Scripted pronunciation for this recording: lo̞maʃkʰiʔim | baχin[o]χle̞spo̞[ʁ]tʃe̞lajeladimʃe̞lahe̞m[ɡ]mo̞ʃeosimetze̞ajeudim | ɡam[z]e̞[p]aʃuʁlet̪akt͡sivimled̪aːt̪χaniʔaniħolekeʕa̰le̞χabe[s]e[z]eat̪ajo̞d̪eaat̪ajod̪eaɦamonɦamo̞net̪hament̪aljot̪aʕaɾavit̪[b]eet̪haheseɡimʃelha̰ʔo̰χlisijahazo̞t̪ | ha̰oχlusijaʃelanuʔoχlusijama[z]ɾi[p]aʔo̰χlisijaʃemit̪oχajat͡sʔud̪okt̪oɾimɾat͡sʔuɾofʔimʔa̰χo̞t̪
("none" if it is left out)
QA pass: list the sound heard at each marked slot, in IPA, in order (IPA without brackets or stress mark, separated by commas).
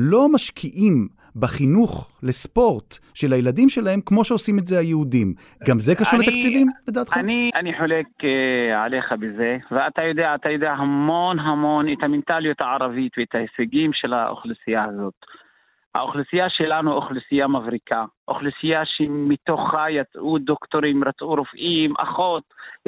u, ʁ, k, z, k, z, v, v, v, k